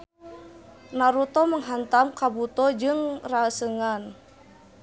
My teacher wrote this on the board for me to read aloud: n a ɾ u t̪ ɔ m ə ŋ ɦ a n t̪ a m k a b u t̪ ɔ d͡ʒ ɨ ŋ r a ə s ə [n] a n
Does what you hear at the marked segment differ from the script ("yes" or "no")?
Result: yes